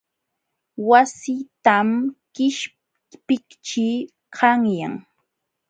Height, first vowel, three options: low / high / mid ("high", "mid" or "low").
low